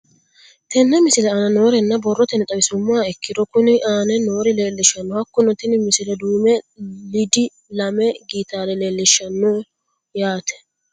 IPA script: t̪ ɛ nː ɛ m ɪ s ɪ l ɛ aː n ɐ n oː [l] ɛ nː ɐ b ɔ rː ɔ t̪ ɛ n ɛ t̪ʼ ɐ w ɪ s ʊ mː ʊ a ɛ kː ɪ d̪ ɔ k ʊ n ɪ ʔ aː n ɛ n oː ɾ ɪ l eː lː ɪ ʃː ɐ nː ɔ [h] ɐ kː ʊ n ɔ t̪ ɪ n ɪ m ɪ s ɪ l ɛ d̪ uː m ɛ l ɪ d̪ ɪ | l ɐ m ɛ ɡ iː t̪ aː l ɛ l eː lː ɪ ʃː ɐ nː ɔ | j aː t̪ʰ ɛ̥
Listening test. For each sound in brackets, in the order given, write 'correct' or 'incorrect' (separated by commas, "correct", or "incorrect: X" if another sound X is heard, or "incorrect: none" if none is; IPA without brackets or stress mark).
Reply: incorrect: ɾ, correct